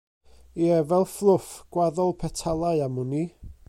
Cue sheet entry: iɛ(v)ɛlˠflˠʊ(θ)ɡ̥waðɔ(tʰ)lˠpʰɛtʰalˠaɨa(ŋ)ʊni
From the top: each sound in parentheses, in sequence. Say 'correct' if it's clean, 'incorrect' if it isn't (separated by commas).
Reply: correct, incorrect, incorrect, incorrect